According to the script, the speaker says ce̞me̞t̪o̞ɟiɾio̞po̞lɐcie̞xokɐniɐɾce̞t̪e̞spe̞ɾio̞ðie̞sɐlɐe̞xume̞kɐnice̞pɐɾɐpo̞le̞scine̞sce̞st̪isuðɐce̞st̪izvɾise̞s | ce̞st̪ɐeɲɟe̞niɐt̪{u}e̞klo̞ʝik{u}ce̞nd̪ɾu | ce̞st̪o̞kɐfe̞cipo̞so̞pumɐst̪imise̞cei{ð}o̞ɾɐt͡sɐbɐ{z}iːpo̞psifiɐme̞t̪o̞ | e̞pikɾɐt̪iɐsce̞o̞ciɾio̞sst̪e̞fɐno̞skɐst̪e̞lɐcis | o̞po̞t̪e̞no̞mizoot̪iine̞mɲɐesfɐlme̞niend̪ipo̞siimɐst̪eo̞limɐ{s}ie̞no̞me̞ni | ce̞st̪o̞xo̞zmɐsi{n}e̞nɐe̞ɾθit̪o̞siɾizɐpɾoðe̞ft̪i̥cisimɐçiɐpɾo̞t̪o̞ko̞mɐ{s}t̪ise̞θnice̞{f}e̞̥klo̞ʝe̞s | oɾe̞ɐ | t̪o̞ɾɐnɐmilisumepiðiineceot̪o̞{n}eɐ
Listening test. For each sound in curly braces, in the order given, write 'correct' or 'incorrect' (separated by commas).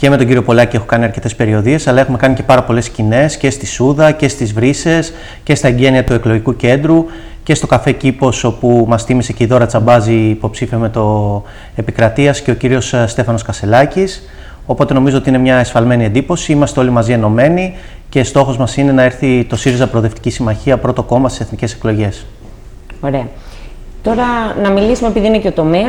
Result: correct, correct, correct, correct, incorrect, correct, correct, incorrect, incorrect